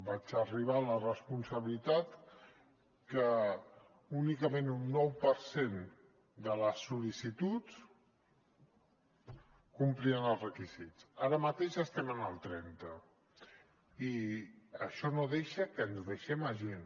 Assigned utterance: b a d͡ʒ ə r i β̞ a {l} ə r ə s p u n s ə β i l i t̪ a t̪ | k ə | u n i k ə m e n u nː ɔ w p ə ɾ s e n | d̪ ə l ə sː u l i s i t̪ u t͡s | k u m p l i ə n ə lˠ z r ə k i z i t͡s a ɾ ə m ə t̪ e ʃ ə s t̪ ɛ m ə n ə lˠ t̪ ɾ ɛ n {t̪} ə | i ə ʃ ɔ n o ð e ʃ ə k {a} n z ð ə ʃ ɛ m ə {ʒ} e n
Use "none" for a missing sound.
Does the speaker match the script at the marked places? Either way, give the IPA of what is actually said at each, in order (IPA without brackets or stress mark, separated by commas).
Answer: l, t̪, ə, ʒ